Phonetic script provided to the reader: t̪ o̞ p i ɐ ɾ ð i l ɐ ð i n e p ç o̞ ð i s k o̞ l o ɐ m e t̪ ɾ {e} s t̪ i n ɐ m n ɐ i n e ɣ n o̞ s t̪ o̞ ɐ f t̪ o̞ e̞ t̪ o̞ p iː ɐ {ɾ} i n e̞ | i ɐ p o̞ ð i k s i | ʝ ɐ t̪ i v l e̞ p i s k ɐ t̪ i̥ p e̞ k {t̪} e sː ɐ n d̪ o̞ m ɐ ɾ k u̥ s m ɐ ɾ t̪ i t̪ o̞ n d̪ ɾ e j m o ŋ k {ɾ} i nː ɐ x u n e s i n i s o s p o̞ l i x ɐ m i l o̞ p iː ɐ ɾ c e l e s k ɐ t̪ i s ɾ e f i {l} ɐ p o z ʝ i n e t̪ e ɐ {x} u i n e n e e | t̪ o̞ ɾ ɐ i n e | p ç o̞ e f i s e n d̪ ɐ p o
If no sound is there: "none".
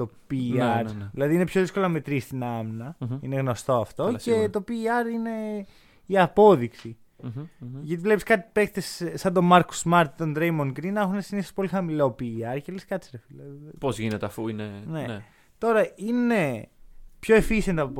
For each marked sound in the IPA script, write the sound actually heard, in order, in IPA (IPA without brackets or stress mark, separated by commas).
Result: i, ɾ, t̪, ɾ, l, f